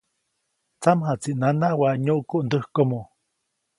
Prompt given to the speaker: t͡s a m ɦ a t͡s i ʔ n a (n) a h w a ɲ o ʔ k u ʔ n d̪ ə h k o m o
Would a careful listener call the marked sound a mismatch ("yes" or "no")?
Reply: no